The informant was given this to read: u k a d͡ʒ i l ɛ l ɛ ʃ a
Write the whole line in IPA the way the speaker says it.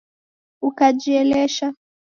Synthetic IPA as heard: u k a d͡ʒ i ɛ l ɛ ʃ a

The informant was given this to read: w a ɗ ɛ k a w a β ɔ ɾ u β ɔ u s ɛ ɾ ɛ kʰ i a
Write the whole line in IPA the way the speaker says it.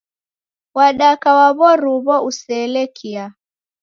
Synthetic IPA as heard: w a ɗ a k a w a β ɔ ɾ u β ɔ u s ɛ l ɛ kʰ i a

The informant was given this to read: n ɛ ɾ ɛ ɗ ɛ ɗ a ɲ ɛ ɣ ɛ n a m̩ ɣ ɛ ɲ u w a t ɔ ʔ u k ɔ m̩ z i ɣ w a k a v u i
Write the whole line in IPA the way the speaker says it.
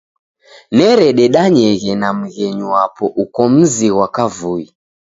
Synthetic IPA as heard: n ɛ ɾ ɛ ɗ ɛ ɗ a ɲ ɛ ɣ ɛ n a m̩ ɣ ɛ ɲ u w a p ɔ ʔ u k ɔ m̩ z i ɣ w a k a v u i

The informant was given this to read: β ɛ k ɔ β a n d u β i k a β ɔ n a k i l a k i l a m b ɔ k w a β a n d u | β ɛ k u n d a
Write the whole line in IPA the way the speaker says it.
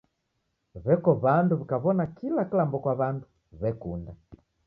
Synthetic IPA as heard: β ɛ k ɔ β a n d u β i k a β ɔ n a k i l a k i l a m b ɔ k w a β a n d u | β ɛ k u n d a

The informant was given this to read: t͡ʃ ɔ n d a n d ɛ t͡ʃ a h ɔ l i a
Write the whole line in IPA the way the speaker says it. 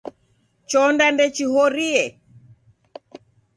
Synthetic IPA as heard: t͡ʃ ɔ n d a n d ɛ t͡ʃ i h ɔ ɾ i ɛ

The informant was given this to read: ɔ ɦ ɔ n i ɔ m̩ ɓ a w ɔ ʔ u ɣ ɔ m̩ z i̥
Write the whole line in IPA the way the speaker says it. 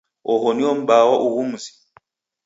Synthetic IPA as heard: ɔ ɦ ɔ n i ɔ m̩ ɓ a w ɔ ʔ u ɣ u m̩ z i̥

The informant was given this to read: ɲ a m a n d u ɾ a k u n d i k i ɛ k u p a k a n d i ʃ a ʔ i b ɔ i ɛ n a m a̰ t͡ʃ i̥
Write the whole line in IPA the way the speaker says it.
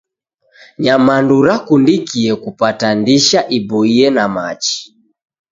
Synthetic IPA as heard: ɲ a m a n d u ɾ a k u n d i k i ɛ k u p a t a n d i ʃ a ʔ i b ɔ i ɛ n a m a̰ t͡ʃ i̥

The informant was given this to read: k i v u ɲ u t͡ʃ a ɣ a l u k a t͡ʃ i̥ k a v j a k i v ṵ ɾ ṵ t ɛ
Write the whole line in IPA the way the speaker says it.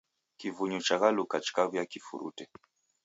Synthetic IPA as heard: k i v u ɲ u t͡ʃ a ɣ a l u k a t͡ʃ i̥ k a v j a k i f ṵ ɾ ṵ t ɛ

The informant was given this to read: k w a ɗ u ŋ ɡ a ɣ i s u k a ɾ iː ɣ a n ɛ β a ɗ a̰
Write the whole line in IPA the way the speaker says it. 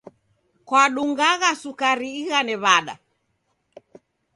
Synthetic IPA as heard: k w a ɗ u ŋ ɡ a ɣ a s u k a ɾ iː ɣ a n ɛ β a ɗ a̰

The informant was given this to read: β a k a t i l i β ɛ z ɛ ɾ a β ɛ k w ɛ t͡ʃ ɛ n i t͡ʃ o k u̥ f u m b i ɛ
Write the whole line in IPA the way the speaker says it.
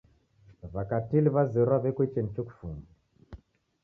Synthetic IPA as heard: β a k a t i l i β a z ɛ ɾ a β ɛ k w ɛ t͡ʃ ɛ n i t͡ʃ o k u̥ f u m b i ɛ

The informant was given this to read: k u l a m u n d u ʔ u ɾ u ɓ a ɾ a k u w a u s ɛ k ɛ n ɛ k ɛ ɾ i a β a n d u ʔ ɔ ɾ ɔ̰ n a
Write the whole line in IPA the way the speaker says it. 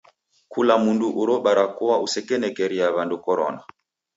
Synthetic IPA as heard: k u l a m u n d u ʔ u ɾ ɔ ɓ a ɾ a k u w a u s ɛ k ɛ n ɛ k ɛ ɾ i a β a n d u k ɔ ɾ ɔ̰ n a

